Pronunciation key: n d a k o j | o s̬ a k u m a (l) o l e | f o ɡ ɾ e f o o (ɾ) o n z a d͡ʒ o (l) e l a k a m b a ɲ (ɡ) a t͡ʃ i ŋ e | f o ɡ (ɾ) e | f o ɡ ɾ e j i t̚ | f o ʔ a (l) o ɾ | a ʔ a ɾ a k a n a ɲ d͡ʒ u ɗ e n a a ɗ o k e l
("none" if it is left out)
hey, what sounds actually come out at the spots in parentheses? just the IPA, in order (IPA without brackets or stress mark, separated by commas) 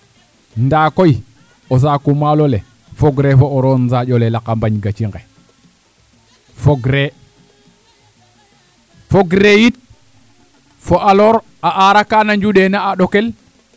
l, ɾ, l, ɡ, ɾ, l